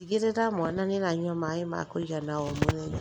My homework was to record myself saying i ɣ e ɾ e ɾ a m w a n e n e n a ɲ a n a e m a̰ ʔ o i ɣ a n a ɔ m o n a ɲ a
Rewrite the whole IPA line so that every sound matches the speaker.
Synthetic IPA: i ɣ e ɾ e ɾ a m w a n a n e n a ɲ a m a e m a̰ k o i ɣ a n a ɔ m o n ɛ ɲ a